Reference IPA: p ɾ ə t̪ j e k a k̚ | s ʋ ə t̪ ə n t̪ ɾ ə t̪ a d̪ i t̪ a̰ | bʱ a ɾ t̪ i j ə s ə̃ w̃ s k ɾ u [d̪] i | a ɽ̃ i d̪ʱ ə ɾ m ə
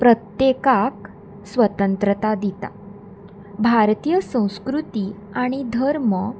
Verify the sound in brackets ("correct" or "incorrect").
incorrect